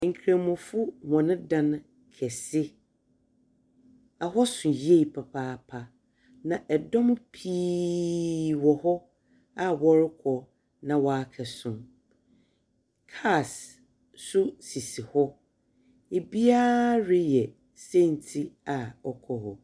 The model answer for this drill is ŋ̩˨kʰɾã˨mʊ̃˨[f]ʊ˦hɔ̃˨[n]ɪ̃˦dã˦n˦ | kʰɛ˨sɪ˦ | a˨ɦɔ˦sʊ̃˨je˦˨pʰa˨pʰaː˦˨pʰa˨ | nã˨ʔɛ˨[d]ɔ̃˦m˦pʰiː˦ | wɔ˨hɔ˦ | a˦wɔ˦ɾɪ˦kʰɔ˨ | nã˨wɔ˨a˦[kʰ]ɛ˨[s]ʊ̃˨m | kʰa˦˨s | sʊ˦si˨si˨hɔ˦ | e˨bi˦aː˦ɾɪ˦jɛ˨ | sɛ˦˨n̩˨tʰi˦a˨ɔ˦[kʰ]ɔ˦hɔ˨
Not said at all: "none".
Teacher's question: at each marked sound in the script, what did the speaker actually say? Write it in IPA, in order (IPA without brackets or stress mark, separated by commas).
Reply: f, n, d, kʰ, s, kʰ